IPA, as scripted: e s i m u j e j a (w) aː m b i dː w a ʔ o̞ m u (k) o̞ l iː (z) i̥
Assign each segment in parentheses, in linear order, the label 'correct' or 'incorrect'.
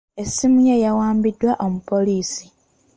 correct, incorrect: p, incorrect: s

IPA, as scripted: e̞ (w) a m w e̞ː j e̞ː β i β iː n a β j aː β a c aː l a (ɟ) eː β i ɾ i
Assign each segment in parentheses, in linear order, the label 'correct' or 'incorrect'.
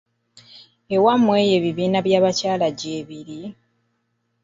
correct, correct

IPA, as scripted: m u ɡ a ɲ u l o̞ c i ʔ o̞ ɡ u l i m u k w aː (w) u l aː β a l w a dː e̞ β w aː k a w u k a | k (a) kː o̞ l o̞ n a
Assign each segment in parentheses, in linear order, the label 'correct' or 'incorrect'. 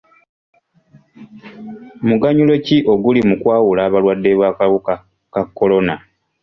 correct, correct

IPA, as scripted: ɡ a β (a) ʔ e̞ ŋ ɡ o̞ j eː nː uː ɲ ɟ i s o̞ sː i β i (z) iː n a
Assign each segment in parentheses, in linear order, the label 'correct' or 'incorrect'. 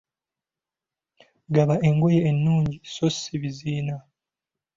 correct, correct

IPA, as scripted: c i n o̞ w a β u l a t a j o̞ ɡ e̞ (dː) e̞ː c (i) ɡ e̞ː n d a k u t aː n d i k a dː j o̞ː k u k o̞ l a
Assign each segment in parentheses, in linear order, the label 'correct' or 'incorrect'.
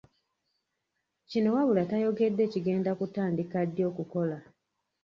correct, correct

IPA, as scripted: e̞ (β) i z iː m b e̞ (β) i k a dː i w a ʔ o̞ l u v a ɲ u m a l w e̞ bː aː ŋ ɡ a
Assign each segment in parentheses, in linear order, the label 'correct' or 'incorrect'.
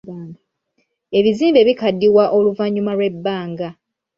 correct, correct

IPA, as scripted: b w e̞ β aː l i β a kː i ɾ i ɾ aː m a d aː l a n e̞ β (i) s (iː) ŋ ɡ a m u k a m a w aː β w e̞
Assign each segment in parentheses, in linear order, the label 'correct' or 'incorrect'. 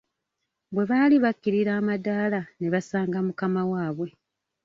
incorrect: a, incorrect: aː

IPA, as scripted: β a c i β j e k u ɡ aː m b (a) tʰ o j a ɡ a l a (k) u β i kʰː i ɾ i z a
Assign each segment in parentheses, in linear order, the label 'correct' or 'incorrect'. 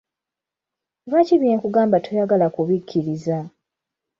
correct, correct

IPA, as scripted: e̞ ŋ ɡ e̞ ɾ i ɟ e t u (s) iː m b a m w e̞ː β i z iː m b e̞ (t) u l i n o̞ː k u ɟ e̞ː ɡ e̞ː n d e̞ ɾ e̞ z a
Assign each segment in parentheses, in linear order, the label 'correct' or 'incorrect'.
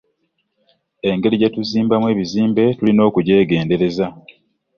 incorrect: z, correct

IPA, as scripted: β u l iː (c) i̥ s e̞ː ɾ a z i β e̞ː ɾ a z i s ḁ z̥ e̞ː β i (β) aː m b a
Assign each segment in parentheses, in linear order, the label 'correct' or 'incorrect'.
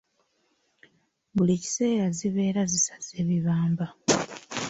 correct, correct

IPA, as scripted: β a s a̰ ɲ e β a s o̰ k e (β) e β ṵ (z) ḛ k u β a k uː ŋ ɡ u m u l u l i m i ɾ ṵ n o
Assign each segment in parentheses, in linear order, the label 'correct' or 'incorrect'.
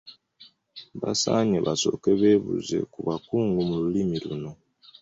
correct, correct

